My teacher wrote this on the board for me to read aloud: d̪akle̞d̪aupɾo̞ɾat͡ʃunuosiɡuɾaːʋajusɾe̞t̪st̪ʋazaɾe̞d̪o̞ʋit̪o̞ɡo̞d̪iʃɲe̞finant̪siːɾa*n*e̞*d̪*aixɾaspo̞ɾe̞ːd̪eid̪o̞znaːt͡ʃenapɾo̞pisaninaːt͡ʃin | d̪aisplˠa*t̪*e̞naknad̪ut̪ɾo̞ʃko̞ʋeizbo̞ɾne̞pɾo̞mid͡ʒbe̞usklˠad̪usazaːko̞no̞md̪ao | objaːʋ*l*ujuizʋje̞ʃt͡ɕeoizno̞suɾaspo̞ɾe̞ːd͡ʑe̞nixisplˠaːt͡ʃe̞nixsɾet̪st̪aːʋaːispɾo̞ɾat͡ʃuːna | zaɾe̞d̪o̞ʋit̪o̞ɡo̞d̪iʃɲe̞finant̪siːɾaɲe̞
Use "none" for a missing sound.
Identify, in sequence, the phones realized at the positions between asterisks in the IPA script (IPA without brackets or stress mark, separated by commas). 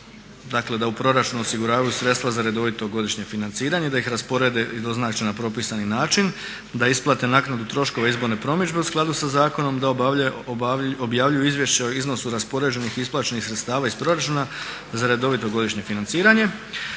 ɲ, d̪, t̪, ʎ